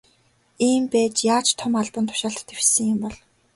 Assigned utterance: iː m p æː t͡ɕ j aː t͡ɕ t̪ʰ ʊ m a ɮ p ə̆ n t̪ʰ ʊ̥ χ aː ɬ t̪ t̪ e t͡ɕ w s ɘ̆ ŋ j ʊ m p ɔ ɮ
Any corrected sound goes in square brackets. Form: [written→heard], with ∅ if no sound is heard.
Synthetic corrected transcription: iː m p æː t͡ɕ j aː t͡ɕ t̪ʰ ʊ m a ɮ p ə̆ n t̪ʰ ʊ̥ [χ→ʃ] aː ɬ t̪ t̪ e [t͡ɕ→∅] w s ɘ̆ ŋ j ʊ m p ɔ ɮ

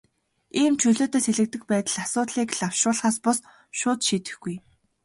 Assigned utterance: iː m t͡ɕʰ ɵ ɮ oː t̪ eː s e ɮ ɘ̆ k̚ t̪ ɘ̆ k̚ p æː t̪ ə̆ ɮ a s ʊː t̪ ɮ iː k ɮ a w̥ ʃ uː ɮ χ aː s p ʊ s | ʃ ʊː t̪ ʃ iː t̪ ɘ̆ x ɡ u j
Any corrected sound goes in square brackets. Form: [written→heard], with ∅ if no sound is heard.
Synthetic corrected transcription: iː m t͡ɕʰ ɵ ɮ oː t̪ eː s e ɮ ɘ̆ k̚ t̪ ɘ̆ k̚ p æː t̪ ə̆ ɮ a s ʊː t̪ ɮ iː k ɮ a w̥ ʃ [uː→ʊː] ɮ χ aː s p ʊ s | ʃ ʊː t̪ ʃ iː t̪ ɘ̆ x ɡ u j

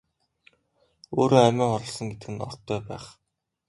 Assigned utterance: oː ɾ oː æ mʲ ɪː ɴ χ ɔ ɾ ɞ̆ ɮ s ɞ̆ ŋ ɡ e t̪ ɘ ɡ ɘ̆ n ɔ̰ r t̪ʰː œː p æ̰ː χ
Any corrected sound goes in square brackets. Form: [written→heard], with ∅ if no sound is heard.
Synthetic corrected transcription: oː ɾ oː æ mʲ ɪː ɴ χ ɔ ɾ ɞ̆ ɮ s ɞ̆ ŋ ɡ e t̪ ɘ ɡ ɘ̆ n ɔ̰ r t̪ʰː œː p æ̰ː χ

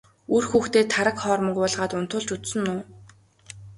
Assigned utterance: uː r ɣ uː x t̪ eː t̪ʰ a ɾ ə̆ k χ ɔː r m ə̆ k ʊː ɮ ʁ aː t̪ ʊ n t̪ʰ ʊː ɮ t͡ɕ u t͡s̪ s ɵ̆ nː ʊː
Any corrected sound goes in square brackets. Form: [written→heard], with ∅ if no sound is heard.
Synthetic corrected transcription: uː r [ɣ→x] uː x t̪ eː t̪ʰ a ɾ ə̆ k χ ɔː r m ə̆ k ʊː ɮ ʁ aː t̪ ʊ n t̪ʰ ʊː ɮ t͡ɕ u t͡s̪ s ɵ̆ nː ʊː

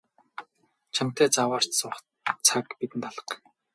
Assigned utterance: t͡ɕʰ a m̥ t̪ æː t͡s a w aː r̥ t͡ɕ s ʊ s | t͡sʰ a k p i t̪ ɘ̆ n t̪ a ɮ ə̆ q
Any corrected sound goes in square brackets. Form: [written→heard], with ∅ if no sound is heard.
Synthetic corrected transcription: t͡ɕʰ a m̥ t̪ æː t͡s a w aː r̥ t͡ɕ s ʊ [s→χ] | t͡sʰ a k p i t̪ ɘ̆ n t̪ a ɮ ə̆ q

